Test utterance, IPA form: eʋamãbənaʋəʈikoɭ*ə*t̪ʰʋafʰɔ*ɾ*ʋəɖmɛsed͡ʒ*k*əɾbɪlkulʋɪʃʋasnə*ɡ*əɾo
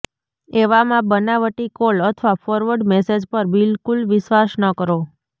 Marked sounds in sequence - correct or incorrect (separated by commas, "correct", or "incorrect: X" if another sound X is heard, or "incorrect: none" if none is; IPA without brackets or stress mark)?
correct, correct, incorrect: p, incorrect: k